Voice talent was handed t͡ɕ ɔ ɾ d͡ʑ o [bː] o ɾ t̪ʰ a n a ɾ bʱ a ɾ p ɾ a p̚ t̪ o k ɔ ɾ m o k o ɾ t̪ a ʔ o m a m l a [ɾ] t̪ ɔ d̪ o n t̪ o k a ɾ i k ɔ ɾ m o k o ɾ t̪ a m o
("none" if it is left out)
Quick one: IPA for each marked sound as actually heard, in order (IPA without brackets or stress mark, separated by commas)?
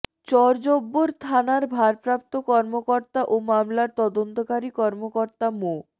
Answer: bː, ɾ